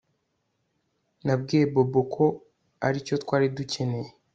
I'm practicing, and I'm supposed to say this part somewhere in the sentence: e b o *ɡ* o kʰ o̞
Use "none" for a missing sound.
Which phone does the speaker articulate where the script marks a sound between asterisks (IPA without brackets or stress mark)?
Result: b